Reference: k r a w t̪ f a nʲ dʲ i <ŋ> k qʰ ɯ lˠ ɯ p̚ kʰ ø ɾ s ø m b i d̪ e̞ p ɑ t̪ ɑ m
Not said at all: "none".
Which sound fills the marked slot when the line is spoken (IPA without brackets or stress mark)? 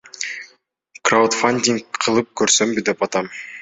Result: ŋ